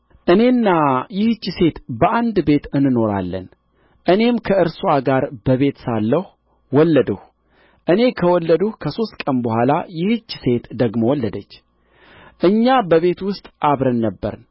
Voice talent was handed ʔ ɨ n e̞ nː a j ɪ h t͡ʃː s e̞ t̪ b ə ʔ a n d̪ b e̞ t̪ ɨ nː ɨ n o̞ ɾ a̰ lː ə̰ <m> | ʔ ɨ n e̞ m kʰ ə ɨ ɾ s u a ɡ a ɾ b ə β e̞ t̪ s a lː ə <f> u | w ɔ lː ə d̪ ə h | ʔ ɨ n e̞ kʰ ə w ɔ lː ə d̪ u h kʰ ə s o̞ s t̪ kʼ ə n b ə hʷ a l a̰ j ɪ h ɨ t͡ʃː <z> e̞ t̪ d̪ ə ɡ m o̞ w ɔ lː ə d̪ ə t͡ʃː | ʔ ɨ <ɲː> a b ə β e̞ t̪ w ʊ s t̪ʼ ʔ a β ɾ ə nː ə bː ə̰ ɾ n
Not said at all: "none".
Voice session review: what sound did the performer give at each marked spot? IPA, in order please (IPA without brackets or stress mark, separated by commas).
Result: n, h, s, ɲː